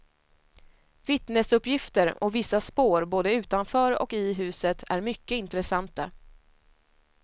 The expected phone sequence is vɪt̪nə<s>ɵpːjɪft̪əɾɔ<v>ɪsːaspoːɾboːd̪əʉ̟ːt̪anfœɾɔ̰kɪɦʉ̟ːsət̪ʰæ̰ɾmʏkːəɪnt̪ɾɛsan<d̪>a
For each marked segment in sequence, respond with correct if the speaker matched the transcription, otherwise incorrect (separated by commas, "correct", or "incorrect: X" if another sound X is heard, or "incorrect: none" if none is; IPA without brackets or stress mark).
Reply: correct, correct, incorrect: t̪